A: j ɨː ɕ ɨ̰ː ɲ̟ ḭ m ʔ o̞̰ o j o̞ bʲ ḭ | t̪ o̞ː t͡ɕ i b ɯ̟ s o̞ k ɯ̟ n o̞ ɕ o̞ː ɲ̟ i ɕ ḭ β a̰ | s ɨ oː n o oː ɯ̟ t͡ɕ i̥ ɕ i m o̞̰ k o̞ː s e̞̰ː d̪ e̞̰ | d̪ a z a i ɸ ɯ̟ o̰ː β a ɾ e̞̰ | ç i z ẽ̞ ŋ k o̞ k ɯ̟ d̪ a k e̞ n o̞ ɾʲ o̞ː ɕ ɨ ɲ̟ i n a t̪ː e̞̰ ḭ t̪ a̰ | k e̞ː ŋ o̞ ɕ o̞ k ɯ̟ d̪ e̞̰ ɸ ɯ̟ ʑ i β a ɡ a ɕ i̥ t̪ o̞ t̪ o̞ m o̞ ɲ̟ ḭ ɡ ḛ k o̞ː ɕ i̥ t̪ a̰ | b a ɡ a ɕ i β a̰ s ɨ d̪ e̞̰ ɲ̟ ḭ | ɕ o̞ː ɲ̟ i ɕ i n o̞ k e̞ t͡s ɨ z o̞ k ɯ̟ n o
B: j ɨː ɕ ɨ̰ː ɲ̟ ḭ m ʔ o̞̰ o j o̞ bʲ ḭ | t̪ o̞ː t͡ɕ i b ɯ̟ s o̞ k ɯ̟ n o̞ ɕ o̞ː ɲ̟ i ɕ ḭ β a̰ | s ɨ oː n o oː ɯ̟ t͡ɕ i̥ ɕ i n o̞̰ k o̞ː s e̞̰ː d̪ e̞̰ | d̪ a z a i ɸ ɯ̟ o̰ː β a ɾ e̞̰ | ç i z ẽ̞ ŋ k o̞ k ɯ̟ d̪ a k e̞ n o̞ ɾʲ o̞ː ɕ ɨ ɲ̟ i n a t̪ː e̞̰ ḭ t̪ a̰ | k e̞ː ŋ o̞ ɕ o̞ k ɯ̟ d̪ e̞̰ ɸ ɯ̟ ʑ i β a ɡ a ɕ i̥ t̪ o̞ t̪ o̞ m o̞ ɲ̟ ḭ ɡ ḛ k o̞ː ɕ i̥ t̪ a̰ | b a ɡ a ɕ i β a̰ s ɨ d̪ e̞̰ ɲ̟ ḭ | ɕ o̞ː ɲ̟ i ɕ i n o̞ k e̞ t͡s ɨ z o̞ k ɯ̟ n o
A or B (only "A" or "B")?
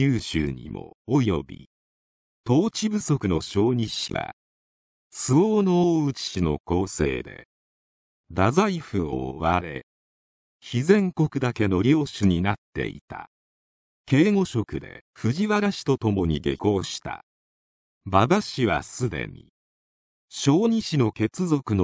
B